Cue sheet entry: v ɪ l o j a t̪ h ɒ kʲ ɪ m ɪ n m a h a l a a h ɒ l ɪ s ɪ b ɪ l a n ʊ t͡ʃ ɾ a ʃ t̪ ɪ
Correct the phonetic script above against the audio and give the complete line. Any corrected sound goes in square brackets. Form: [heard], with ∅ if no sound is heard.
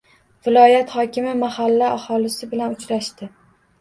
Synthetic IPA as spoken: v ɪ l [ɒ] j a t̪ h ɒ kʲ ɪ m ɪ [∅] m a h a [lː] a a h ɒ l ɪ s ɪ b ɪ l a n ʊ t͡ʃ ɾ a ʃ t̪ ɪ